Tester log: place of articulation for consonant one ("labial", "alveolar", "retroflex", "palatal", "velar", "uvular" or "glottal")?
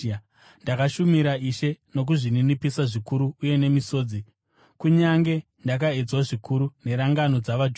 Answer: alveolar